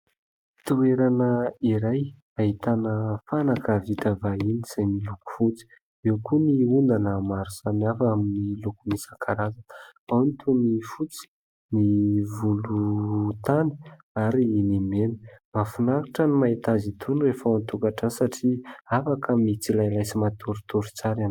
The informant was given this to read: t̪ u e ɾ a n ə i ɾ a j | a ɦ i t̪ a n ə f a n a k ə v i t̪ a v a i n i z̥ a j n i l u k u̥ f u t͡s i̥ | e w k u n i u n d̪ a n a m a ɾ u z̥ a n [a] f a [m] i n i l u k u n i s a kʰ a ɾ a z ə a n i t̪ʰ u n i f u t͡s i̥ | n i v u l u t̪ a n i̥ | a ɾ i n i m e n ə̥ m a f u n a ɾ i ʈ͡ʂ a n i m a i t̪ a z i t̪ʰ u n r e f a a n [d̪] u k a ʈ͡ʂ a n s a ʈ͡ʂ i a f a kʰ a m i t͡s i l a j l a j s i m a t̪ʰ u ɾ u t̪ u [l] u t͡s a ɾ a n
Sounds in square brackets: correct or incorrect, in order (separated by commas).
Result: correct, correct, incorrect, incorrect